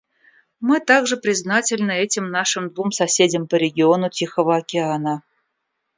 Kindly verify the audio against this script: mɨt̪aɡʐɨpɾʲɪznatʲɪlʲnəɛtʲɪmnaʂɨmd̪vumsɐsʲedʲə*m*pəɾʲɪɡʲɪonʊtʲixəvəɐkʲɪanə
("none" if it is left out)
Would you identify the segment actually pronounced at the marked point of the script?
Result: m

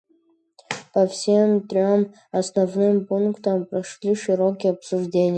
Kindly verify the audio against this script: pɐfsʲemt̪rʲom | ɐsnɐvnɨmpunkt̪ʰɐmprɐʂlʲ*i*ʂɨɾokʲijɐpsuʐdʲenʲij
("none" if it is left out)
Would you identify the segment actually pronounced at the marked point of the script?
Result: i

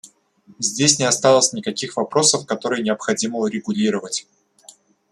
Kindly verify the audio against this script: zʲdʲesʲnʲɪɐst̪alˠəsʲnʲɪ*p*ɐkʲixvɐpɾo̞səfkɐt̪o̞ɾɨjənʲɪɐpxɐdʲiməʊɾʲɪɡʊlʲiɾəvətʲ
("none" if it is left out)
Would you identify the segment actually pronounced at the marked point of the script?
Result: k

